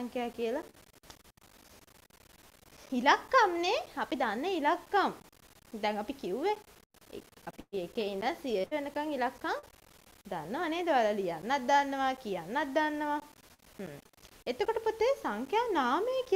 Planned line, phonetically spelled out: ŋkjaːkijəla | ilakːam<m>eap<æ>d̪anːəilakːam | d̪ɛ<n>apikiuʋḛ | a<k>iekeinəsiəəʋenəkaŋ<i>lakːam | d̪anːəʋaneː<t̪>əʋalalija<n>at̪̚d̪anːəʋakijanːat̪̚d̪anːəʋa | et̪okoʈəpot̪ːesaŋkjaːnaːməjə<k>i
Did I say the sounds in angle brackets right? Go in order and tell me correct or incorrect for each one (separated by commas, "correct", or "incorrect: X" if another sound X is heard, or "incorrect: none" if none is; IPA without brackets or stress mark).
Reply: incorrect: n, incorrect: i, incorrect: ŋ, incorrect: p, correct, incorrect: d̪, incorrect: nː, correct